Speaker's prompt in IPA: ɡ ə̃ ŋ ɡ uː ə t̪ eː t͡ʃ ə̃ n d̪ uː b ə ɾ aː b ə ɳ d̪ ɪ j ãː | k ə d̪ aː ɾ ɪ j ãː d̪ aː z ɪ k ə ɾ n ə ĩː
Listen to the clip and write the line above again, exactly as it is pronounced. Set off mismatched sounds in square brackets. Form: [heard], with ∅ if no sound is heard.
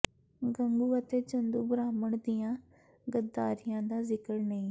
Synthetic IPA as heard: ɡ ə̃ ŋ ɡ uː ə t̪ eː t͡ʃ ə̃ n d̪ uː b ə ɾ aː [m] ə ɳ d̪ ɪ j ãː | [ɡ] ə d̪ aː ɾ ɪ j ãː d̪ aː z ɪ k ə ɾ n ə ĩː